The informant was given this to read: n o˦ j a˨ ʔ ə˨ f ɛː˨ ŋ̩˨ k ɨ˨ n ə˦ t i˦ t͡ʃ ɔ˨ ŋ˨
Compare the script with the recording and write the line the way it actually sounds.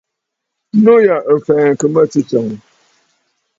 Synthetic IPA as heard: n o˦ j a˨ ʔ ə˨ f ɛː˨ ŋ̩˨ k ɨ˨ m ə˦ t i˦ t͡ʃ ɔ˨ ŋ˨